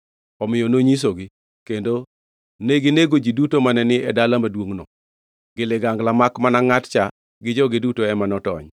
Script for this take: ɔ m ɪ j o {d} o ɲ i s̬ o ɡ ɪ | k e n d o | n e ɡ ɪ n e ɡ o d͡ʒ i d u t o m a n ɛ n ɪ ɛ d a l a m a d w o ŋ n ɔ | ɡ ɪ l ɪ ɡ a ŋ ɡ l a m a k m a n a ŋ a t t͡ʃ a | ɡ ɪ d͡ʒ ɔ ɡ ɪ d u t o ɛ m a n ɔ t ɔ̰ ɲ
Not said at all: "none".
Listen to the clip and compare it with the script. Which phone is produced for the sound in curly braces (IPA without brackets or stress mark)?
n